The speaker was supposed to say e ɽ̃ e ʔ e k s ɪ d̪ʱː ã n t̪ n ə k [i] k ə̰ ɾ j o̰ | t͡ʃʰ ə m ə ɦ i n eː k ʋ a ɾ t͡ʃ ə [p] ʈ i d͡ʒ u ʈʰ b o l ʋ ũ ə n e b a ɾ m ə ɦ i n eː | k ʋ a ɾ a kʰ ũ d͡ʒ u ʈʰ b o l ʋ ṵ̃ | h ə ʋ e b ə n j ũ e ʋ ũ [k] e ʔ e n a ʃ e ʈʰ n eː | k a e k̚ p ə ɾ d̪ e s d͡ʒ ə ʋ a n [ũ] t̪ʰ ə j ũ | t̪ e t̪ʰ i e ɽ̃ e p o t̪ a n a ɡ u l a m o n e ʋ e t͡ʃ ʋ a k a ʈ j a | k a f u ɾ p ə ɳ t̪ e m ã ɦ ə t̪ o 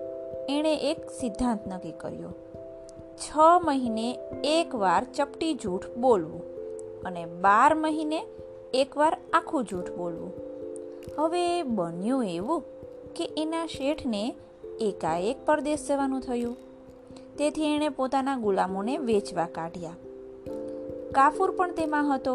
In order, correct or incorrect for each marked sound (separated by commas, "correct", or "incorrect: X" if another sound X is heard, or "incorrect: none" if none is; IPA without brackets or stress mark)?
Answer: correct, correct, correct, correct